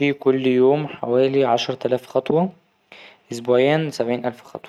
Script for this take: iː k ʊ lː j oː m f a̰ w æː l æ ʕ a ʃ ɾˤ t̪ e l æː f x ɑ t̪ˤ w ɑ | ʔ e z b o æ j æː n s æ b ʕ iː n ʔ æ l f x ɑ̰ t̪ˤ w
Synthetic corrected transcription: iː k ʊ lː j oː m ħ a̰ w æː l i ʕ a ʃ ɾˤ t̪ æ l æː f x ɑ t̪ˤ w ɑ | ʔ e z b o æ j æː n s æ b ʕ iː n ʔ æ l f x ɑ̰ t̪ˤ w